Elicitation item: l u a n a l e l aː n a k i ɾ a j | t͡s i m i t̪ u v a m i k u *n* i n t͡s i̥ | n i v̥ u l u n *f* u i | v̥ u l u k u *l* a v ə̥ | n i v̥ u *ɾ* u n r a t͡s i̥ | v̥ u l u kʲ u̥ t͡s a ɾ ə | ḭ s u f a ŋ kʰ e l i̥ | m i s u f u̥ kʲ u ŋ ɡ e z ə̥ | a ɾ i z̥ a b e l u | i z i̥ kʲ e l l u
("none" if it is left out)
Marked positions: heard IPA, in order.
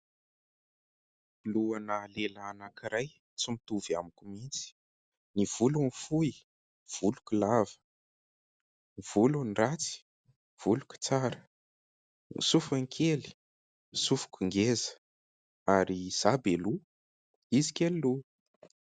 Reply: m, f, l, l

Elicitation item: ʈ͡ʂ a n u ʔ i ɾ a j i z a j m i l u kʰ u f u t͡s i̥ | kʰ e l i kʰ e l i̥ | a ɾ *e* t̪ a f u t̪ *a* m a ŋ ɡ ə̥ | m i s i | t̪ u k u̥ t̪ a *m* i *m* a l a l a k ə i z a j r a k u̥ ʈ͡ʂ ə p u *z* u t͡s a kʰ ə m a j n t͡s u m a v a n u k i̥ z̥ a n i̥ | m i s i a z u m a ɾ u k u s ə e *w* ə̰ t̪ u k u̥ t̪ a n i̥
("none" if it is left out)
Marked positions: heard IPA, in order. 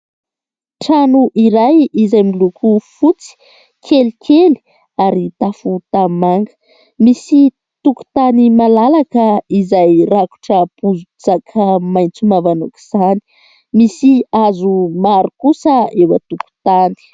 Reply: i, a, n, m, z, w

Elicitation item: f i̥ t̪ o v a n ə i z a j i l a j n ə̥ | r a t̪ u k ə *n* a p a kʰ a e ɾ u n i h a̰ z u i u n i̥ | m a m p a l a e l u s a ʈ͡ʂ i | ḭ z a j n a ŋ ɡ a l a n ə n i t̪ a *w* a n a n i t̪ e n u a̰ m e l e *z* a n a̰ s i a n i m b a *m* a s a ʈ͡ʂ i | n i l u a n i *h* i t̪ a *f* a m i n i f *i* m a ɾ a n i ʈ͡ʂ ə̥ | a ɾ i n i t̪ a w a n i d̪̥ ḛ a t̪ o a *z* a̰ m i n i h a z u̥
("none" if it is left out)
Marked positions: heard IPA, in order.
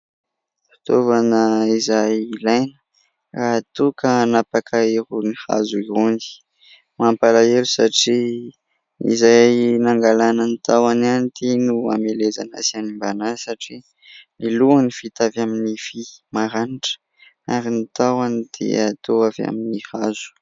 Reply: n, w, z, n, f, v, i, v

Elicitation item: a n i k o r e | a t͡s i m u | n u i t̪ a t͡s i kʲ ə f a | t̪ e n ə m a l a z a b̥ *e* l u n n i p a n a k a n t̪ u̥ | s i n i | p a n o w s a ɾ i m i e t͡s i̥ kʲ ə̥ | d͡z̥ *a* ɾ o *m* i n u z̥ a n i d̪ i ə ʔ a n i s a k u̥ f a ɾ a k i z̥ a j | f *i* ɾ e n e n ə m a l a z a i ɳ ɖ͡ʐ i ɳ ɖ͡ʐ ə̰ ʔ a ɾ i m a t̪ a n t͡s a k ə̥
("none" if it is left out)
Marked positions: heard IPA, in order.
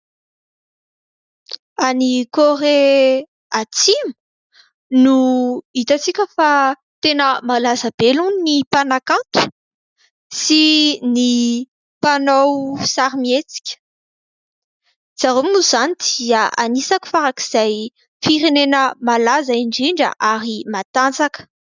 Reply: e, a, m, i

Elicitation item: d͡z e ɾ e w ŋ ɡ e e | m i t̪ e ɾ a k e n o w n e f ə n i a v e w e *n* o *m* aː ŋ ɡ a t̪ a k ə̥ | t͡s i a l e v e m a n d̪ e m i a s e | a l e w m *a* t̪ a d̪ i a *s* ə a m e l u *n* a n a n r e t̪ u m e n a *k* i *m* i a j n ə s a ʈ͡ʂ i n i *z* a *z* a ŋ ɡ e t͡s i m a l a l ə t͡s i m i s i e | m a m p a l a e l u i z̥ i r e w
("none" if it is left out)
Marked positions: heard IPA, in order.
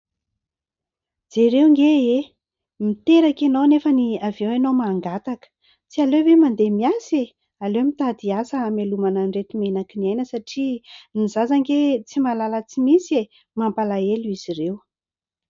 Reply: n, m, i, s, m, k, n, z, z

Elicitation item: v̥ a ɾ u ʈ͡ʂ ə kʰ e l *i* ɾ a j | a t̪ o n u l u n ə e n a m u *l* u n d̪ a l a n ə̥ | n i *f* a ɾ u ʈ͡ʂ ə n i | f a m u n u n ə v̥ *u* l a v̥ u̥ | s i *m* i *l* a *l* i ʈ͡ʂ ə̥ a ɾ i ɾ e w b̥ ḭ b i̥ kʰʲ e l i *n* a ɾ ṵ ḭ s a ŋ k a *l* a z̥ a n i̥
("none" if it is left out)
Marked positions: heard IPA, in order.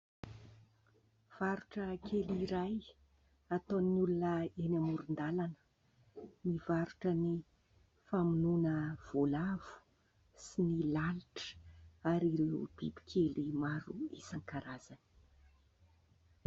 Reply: i, ɾ, v, o, n, l, l, m, ɾ

